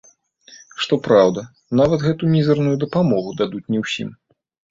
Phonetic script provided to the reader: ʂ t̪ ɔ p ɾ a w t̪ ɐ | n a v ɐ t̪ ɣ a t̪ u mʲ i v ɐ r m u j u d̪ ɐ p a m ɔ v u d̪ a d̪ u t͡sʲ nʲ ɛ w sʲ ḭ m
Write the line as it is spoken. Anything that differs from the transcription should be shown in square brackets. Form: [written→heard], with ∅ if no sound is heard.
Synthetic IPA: ʂ t̪ ɔ p ɾ a w [t̪→d̪] ɐ | n a v ɐ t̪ ɣ [a→ɛ] t̪ u mʲ i [v→z] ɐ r [m→n] u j u d̪ ɐ p a m ɔ [v→ɣ] u d̪ a d̪ u t͡sʲ nʲ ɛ w sʲ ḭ m